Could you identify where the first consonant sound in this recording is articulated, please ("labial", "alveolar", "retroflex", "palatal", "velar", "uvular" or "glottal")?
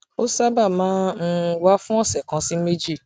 alveolar